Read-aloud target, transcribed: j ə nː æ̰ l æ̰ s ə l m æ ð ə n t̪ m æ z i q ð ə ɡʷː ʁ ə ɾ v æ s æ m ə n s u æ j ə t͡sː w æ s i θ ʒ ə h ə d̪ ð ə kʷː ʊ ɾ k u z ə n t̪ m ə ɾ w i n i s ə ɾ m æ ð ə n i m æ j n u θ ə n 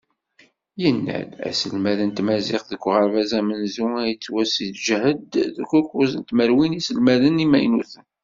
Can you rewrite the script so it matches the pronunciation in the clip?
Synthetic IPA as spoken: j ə nː æ̰ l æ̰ s ə l m æ ð ə n t̪ m æ z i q ð ə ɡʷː ʁ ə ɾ v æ z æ m ə n z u æ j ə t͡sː w æ s i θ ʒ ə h ə d̪ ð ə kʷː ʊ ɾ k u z ə n t̪ m ə ɾ w i n i s ə l m æ ð ə n i m æ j n u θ ə n

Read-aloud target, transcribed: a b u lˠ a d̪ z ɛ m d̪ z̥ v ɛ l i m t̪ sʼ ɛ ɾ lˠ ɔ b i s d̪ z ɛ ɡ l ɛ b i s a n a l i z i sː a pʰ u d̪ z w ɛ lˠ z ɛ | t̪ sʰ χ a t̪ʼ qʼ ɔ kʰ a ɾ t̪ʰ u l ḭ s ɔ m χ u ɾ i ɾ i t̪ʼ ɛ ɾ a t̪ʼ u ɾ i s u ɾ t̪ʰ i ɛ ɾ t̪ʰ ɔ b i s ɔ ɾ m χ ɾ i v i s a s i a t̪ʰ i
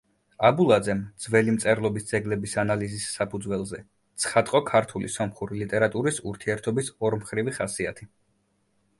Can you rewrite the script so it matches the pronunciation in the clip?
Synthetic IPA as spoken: a b u lˠ a d̪ z ɛ m d̪ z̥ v ɛ l i m t̪ sʼ ɛ ɾ lˠ ɔ b i s d̪ z ɛ ɡ l ɛ b i s a n a l i z i sː a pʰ u d̪ z w ɛ lˠ z ɛ | t̪ sʰ χ a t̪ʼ qʼ ɔ kʰ a ɾ t̪ʰ u l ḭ s ɔ m χ u ɾ i l i t̪ʼ ɛ ɾ a t̪ʼ u ɾ i s u ɾ t̪ʰ i ɛ ɾ t̪ʰ ɔ b i s ɔ ɾ m χ ɾ i v i χ a s i a t̪ʰ i

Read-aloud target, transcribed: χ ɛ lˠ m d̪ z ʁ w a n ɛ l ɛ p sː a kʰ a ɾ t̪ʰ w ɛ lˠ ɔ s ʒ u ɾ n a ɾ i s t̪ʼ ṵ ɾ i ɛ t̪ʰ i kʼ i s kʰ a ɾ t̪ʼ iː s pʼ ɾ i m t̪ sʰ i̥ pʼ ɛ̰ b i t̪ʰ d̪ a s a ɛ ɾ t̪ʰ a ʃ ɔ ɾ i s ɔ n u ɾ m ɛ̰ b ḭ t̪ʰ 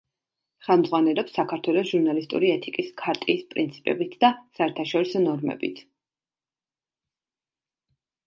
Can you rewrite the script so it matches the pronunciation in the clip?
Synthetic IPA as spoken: χ ɛ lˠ m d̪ z ʁ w a n ɛ l ɛ p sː a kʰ a ɾ t̪ʰ w ɛ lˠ ɔ s ʒ u ɾ n a l i s t̪ʼ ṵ ɾ i ɛ t̪ʰ i kʼ i s kʰ a ɾ t̪ʼ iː s pʼ ɾ i n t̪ sʰ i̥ pʼ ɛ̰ b i t̪ʰ d̪ a s a ɛ ɾ t̪ʰ a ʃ ɔ ɾ i s ɔ n ɔ ɾ m ɛ̰ b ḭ t̪ʰ

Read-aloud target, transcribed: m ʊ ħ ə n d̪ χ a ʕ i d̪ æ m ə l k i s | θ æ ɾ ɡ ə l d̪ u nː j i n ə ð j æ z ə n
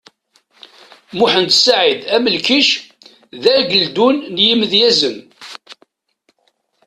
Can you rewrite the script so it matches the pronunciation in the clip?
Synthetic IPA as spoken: m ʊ ħ ə n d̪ s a ʕ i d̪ æ m ə l k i ʃ | ð æ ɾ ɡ ə l d̪ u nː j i m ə ð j æ z ə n

